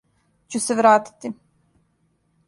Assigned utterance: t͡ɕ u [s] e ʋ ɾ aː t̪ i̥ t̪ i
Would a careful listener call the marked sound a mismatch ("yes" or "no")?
no